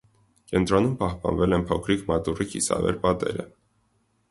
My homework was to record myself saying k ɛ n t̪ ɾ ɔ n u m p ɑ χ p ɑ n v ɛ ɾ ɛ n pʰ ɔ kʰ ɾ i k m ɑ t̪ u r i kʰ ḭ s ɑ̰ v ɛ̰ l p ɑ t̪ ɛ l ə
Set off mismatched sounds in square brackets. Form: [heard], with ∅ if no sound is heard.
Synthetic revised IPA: k ɛ n t̪ ɾ ɔ n u m p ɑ [h] p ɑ n v ɛ [l] ɛ n pʰ ɔ kʰ ɾ i k m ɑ t̪ u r i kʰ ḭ s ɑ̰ v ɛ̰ [ɾ] p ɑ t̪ ɛ [ɾ] ə